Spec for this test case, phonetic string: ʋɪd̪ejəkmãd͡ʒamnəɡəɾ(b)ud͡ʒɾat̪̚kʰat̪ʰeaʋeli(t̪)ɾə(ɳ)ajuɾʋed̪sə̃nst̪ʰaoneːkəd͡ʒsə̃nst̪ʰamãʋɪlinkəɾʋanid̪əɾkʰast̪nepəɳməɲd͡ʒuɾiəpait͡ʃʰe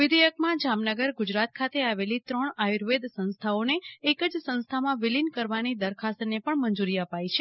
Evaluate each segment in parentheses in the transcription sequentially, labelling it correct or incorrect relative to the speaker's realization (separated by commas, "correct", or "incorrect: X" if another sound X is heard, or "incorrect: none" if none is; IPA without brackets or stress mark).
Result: incorrect: ɡ, correct, correct